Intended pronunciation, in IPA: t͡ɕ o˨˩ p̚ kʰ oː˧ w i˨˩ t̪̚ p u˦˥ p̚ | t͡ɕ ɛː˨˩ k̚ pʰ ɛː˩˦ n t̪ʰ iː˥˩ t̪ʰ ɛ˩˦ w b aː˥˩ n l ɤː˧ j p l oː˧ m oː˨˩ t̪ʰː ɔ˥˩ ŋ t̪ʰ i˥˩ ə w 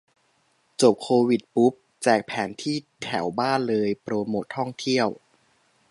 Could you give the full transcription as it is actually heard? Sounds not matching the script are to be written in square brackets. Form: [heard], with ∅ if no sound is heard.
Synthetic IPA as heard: t͡ɕ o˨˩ p̚ kʰ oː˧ w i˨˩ t̪̚ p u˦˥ p̚ | t͡ɕ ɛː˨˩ k̚ pʰ ɛː˩˦ n t̪ʰ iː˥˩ t̪ʰ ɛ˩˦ w b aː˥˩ n l ɤː˧ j p [ɾ] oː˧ m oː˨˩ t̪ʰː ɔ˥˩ ŋ t̪ʰ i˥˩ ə w

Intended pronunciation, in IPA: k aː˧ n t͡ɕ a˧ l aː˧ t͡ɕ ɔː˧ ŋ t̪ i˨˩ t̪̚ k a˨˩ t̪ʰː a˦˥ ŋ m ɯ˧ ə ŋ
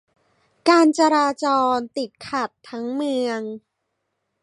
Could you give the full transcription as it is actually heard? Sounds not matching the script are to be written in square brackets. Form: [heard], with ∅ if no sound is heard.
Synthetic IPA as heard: k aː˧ n t͡ɕ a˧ [ɾ] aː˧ t͡ɕ ɔː˧ [n] t̪ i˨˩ t̪̚ [kʰ] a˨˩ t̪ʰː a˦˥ ŋ m ɯ˧ ə ŋ

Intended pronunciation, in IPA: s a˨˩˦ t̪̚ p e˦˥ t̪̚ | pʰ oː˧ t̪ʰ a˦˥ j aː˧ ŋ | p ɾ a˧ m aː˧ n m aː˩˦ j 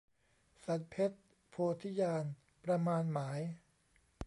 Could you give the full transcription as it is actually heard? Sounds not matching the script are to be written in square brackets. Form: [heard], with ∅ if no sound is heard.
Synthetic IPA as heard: s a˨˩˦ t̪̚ [pʰ] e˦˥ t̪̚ | pʰ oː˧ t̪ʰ [i˦˥] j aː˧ [n] | p ɾ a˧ m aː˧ n m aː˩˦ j

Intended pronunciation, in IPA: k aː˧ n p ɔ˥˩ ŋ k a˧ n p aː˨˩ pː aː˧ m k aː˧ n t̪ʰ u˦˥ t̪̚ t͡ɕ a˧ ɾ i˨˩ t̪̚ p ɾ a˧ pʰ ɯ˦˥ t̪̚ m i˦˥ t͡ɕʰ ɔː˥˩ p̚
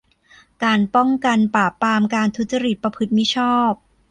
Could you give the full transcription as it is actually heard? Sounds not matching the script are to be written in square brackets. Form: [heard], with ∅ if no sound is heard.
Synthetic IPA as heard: k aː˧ n p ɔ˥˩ ŋ k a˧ n p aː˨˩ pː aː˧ m k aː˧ n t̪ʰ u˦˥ t̪̚ t͡ɕ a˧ ɾ i˨˩ t̪̚ p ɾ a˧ pʰ ɯ˦˥ t̪̚ m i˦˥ t͡ɕʰ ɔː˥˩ p̚

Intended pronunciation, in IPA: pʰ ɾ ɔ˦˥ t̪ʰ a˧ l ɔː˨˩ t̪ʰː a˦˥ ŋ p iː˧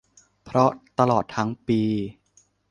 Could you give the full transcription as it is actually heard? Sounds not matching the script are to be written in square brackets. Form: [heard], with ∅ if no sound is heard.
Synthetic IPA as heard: pʰ ɾ ɔ˦˥ [t̪] a˧ l ɔː˨˩ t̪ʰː a˦˥ ŋ p iː˧

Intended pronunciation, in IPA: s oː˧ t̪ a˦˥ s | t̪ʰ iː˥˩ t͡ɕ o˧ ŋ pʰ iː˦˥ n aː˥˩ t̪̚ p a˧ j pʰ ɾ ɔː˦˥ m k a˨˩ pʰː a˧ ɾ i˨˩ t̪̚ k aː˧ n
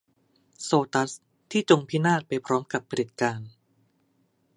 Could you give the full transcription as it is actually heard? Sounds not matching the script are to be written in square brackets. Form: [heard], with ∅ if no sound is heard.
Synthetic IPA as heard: s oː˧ t̪ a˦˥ s | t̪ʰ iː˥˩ t͡ɕ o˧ ŋ pʰ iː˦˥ n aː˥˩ t̪̚ p a˧ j pʰ ɾ ɔː˦˥ m k a˨˩ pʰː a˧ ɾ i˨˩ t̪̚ k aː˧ n

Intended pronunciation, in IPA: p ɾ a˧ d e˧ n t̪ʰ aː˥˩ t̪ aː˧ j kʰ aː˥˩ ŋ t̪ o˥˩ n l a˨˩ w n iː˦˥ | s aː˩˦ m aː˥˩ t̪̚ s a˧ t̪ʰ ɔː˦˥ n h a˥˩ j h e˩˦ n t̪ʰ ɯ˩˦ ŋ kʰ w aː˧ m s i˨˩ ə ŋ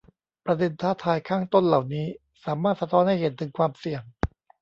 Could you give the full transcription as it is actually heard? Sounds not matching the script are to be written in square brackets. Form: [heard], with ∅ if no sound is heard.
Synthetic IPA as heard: p ɾ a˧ d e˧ n t̪ʰ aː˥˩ [t̪ʰ] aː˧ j kʰ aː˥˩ ŋ t̪ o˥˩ n l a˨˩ w n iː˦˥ | s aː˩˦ m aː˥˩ t̪̚ s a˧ t̪ʰ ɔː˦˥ n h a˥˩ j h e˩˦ n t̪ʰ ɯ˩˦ ŋ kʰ w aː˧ m s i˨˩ ə ŋ

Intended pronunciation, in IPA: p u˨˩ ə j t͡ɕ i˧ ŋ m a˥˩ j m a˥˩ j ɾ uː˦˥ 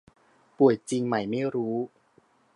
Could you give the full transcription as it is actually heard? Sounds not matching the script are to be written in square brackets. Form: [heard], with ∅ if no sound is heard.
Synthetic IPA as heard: p u˨˩ ə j t͡ɕ i˧ ŋ m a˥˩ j m a˥˩ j ɾ uː˦˥

